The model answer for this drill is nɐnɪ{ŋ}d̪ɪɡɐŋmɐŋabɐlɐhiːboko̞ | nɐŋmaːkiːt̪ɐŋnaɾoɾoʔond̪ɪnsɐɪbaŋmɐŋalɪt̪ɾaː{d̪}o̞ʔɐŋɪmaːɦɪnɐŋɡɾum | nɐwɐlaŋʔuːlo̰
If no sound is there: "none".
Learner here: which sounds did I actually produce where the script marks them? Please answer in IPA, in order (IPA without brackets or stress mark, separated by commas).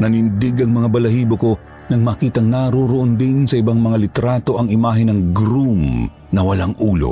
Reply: n, t̪